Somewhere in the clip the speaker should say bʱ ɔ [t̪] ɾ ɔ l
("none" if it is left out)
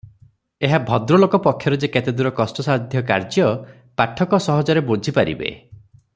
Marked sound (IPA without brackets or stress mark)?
d̪